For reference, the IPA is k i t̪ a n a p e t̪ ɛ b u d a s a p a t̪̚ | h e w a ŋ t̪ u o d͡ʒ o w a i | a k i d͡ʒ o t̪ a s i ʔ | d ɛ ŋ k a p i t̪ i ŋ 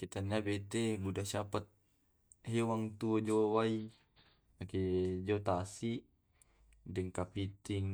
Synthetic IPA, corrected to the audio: k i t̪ a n a b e t̪ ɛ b u d a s a p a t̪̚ | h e w a ŋ t̪ u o d͡ʒ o w a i | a k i d͡ʒ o t̪ a s i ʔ | d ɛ ŋ k a p i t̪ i ŋ